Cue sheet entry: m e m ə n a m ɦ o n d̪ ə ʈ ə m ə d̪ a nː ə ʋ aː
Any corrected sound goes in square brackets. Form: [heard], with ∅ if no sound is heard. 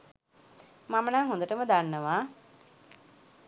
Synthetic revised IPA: m [a] m ə n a [ŋ] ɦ o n d̪ ə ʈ ə m ə d̪ a nː ə ʋ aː